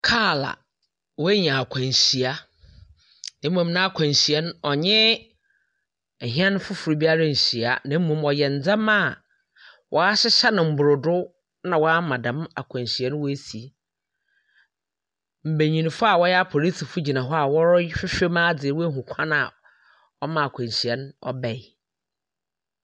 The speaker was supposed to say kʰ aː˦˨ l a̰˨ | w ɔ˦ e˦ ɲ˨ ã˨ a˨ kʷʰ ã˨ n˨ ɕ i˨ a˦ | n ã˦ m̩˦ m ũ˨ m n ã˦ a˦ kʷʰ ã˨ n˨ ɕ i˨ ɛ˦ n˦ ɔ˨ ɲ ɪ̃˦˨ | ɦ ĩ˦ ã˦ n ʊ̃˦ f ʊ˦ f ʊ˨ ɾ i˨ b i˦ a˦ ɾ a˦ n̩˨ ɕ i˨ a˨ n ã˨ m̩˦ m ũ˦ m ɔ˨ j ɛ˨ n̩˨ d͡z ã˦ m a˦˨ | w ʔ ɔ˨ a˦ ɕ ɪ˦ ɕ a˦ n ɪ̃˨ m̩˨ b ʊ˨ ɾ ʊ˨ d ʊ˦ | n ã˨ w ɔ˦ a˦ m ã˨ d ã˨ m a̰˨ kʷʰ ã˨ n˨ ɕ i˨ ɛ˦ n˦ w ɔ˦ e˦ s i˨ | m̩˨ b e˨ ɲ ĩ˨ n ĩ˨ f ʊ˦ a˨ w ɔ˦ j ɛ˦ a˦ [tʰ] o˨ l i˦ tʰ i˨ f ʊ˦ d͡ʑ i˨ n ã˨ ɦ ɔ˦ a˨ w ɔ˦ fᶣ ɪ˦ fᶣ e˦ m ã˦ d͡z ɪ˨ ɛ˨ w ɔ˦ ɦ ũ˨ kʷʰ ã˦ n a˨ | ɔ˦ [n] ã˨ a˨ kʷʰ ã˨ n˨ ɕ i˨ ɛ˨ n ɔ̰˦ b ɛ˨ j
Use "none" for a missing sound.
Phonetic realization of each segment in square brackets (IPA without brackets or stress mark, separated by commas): pʰ, m